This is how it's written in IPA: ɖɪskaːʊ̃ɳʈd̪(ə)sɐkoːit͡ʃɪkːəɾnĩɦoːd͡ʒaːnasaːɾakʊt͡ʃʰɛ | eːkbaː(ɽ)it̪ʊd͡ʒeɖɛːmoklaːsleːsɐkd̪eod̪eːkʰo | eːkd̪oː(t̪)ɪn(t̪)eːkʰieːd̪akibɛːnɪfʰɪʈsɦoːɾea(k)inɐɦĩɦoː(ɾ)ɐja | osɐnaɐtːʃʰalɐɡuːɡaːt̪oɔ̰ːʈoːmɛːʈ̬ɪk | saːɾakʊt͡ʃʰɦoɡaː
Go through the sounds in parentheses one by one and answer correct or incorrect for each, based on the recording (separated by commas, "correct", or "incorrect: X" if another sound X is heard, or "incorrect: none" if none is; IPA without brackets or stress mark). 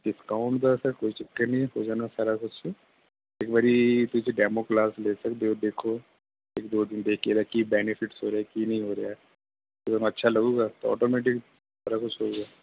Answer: incorrect: a, incorrect: ɾ, incorrect: d̪, incorrect: d̪, correct, correct